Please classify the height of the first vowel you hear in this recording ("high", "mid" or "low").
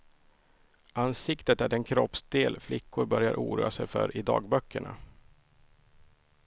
low